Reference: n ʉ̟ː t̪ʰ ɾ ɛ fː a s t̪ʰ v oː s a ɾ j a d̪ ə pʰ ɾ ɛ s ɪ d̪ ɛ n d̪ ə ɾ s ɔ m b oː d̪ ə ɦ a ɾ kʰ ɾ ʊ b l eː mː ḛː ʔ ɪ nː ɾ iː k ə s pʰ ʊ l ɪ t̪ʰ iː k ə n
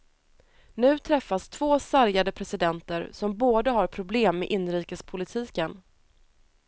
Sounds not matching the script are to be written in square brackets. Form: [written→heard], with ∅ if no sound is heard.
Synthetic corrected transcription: n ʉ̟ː t̪ʰ ɾ ɛ fː a s t̪ʰ v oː s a ɾ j a d̪ ə pʰ ɾ ɛ s ɪ d̪ ɛ n [d̪→t̪] ə ɾ s ɔ m b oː d̪ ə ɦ a ɾ [kʰ→pʰ] ɾ ʊ b l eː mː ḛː ʔ ɪ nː ɾ iː k ə s pʰ ʊ l ɪ t̪ʰ iː k ə n